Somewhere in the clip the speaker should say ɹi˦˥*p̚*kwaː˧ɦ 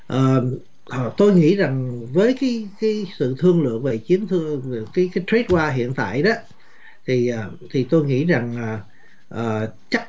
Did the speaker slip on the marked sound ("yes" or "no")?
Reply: yes